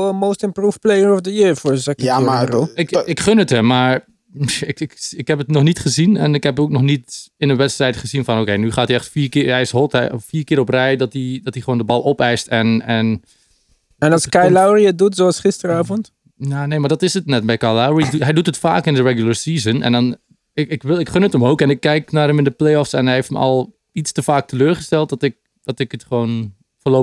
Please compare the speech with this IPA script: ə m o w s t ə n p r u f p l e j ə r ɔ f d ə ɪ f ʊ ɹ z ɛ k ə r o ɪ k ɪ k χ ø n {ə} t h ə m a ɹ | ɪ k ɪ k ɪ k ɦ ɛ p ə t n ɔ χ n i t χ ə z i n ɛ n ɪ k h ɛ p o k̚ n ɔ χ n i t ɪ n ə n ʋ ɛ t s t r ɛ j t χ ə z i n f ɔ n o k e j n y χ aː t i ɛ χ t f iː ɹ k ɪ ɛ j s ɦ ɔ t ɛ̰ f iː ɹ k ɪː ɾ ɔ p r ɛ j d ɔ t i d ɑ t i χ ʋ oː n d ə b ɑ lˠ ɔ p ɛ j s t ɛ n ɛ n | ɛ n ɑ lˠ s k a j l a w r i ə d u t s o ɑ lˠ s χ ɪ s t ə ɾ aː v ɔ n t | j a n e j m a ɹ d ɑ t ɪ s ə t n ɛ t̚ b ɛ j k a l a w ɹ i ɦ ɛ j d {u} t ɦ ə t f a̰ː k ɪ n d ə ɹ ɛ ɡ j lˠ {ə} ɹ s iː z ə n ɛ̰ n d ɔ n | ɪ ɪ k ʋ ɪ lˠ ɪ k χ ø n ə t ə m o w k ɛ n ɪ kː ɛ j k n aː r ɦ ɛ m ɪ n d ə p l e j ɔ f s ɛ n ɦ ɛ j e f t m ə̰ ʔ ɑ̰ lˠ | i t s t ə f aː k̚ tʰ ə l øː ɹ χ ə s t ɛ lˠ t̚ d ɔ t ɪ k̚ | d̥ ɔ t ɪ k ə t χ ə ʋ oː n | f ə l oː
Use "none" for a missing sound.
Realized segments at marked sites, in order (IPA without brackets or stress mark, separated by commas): ə, u, ə